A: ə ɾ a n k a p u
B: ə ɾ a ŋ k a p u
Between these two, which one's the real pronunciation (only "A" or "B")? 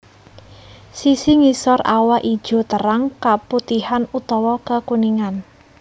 B